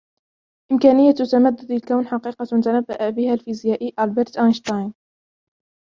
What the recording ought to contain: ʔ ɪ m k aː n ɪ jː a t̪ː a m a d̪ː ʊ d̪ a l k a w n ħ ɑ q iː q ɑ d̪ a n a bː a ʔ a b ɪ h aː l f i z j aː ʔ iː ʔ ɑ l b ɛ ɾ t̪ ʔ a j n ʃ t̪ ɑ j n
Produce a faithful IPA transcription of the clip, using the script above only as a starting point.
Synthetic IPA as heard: ʔ ɪ m k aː n ɪ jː a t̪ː a m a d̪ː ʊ d̪ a l k a w n ħ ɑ q iː q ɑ t̪ a n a bː a ʔ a b ɪ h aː l f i z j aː ʔ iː ʔ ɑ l b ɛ ɾ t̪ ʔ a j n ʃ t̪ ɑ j n